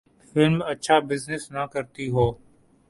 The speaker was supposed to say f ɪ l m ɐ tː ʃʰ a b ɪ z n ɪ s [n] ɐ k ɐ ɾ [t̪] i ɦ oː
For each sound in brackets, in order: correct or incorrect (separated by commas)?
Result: correct, correct